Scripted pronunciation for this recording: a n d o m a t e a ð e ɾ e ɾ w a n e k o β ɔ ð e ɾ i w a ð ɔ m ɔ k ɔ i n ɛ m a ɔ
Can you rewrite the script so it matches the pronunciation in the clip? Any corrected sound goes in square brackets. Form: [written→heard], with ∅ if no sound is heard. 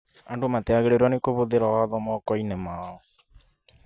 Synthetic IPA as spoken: a n d o m a t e a [ð→ɣ] e ɾ e ɾ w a n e k o β [ɔ→o] ð e ɾ [i→a] w a ð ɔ m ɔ k ɔ i n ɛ m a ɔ